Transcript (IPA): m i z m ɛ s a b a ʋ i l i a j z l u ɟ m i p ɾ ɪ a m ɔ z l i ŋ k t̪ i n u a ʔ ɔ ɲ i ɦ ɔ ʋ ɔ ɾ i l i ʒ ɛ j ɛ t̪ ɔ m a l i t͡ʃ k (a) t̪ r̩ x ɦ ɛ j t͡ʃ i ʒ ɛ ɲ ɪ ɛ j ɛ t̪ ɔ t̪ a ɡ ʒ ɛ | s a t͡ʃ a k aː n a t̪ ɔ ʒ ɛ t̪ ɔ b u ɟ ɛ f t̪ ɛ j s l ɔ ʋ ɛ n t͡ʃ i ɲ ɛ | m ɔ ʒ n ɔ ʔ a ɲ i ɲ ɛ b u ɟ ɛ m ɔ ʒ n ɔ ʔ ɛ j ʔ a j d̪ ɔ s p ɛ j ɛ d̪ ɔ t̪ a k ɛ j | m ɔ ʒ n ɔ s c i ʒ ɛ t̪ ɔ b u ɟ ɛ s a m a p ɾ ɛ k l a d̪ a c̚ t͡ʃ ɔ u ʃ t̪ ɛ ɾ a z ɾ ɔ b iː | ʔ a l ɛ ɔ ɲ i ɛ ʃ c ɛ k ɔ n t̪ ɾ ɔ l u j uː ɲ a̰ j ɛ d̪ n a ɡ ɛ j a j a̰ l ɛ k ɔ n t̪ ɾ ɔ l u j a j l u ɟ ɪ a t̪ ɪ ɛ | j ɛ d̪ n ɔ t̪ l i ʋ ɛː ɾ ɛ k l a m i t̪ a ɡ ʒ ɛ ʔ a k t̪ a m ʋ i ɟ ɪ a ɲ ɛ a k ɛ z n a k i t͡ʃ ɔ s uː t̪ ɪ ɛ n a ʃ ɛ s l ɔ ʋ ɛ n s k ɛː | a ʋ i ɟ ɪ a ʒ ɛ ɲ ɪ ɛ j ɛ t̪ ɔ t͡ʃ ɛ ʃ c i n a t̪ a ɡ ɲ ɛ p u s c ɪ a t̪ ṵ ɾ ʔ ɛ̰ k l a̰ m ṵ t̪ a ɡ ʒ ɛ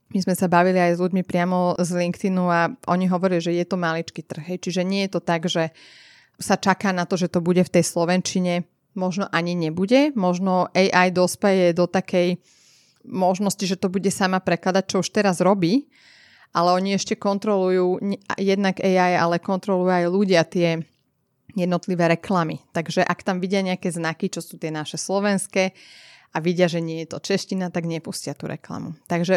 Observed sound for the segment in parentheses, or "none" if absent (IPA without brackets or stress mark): i